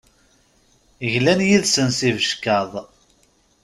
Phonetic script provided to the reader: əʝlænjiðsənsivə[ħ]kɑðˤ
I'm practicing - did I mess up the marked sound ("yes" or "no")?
yes